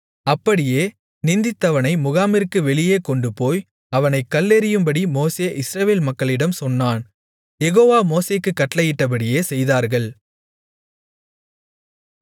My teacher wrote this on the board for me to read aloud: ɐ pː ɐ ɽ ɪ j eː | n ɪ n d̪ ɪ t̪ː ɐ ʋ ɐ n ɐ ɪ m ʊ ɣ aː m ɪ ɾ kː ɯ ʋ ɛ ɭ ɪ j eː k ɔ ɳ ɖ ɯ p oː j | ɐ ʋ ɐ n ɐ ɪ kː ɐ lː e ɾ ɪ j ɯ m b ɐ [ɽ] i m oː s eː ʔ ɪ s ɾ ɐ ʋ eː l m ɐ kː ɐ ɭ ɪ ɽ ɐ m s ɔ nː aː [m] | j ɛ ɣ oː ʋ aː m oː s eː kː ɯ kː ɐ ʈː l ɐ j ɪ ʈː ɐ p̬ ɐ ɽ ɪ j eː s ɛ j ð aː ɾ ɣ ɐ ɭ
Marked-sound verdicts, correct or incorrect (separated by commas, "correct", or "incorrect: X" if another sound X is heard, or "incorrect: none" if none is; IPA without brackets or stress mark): correct, incorrect: n